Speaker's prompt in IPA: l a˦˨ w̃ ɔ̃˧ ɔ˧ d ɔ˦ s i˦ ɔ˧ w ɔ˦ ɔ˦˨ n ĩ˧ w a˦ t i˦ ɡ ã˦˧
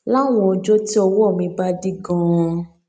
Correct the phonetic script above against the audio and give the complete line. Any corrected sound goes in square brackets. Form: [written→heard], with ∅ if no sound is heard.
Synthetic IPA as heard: l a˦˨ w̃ ɔ̃˧ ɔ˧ [d→d͡ʒ] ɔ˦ [s→t] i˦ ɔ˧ w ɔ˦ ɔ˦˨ [n→m] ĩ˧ [w→b] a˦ [t→d] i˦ ɡ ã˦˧